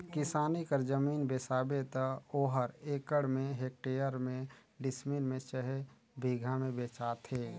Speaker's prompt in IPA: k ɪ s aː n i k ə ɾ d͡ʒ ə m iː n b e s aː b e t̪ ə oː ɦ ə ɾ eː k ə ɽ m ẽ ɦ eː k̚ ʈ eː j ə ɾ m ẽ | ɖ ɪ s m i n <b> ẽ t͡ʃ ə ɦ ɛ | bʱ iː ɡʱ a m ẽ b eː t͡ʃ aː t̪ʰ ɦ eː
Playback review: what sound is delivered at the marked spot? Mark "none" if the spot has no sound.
m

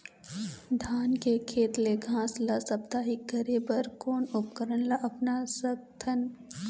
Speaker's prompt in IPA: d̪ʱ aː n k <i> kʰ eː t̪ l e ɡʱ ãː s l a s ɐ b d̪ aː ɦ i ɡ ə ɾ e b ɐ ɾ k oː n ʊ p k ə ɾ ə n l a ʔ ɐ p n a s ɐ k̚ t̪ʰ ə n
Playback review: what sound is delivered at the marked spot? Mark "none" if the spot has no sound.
e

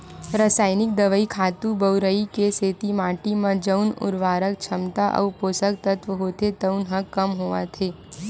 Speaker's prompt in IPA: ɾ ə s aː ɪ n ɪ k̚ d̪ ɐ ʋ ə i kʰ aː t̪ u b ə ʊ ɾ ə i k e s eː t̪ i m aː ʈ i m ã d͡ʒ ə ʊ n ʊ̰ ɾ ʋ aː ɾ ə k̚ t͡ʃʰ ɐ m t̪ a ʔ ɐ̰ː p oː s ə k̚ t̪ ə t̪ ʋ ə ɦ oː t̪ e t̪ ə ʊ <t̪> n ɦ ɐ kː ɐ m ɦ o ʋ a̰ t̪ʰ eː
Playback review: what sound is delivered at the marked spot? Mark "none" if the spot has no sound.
none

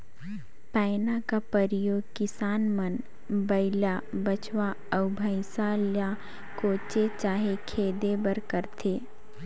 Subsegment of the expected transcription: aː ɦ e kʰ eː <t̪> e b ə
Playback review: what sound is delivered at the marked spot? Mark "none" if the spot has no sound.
d̪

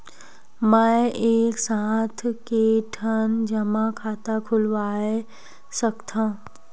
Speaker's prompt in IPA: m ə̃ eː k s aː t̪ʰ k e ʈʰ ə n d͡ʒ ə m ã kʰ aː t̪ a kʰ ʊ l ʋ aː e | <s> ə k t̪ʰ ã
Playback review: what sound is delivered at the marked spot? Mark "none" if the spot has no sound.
s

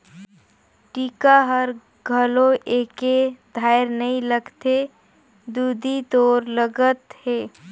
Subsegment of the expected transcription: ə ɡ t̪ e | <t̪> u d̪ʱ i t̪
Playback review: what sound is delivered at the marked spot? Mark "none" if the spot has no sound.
d̪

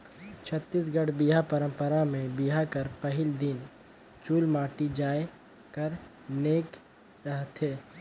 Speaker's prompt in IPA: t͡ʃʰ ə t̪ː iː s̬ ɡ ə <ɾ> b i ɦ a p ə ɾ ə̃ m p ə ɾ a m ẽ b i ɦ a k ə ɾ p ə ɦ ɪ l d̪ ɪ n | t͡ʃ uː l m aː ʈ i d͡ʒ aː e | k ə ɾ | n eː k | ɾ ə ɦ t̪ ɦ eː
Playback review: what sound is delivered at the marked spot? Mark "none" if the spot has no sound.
ɽ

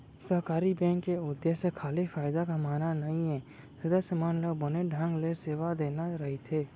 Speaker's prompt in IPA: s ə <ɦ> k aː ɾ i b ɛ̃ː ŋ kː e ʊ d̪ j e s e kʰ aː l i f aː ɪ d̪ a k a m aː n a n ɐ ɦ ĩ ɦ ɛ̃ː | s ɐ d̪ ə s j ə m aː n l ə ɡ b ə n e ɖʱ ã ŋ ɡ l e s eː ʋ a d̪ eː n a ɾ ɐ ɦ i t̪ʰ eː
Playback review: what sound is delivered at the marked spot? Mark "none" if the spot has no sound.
ɦ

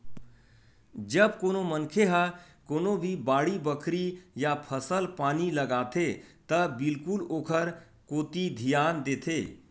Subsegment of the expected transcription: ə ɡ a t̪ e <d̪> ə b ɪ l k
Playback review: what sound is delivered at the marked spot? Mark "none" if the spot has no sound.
t̪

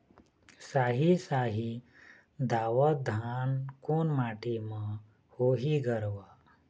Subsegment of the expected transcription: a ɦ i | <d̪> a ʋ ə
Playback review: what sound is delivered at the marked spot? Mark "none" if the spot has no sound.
d̪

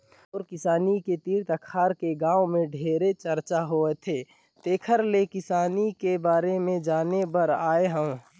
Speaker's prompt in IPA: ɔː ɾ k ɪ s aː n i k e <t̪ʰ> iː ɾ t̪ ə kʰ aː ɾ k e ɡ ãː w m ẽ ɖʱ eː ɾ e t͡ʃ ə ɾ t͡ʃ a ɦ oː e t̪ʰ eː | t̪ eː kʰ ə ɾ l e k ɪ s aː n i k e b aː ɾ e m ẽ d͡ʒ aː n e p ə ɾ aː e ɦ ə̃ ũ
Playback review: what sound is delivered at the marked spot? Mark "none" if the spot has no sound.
t̪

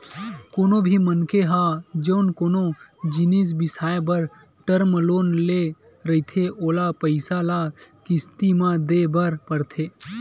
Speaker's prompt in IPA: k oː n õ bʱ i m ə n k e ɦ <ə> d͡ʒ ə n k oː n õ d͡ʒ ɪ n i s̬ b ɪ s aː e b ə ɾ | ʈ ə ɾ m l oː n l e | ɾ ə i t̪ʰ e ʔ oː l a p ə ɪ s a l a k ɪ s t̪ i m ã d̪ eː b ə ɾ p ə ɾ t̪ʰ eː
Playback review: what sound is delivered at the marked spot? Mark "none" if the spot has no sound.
a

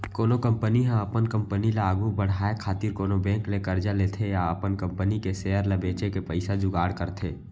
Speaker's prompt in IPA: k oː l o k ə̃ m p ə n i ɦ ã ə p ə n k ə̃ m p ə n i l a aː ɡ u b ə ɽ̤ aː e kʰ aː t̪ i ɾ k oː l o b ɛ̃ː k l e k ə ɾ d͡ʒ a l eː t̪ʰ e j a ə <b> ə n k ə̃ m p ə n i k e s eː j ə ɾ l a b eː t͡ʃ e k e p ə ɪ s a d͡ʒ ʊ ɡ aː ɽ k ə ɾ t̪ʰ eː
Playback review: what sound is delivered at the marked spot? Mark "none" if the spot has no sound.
p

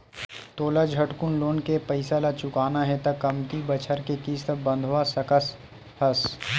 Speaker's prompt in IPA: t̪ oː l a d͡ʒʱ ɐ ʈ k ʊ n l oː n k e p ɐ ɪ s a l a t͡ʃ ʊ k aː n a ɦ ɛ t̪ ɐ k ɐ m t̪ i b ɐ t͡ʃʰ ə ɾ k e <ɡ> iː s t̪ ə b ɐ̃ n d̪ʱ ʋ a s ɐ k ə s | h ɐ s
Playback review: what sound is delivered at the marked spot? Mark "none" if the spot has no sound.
k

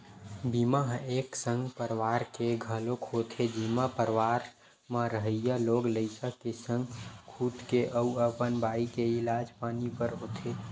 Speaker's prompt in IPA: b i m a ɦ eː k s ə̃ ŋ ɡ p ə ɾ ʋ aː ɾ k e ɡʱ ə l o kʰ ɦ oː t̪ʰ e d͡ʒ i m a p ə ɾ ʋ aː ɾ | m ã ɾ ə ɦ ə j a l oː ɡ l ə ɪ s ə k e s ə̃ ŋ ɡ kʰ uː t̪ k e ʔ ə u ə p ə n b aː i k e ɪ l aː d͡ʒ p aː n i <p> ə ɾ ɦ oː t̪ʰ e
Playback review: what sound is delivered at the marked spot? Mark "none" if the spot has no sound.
p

